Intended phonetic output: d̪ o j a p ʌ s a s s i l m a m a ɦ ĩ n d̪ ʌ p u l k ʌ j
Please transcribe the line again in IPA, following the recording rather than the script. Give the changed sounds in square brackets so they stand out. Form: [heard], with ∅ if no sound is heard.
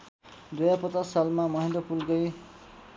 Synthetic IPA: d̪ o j a p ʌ [t͡s] a s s [a] l m a m [ʌ] ɦ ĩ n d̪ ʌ p u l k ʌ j